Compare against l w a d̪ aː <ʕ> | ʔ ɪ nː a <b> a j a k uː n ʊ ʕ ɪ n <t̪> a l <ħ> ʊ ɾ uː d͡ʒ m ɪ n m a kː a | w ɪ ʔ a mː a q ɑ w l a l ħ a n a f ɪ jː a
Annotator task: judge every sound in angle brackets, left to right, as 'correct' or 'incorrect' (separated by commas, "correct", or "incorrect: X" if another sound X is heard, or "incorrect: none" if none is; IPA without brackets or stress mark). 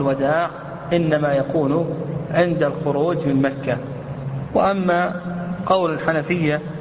correct, incorrect: m, incorrect: d̪, incorrect: x